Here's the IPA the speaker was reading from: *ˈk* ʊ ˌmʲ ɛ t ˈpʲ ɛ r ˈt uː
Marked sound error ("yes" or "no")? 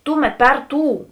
yes